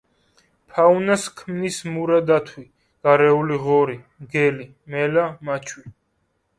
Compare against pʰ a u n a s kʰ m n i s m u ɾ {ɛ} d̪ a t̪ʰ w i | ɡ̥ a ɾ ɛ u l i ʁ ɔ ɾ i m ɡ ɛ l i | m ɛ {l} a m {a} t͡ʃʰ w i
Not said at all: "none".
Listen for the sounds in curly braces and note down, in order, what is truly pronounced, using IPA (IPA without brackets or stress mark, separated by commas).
a, l, a